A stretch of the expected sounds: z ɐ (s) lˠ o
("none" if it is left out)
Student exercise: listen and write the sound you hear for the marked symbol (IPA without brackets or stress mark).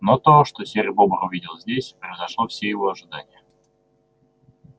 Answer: ʂ